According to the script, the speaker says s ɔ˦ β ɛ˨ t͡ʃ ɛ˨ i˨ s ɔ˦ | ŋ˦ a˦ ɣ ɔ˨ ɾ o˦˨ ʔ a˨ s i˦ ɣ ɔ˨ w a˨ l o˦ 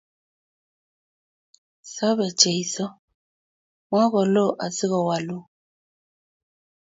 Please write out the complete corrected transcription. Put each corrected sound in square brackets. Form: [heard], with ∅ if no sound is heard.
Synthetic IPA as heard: s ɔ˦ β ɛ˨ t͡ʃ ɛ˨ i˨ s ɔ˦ | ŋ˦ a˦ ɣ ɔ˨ [l] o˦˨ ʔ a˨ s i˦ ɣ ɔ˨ w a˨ l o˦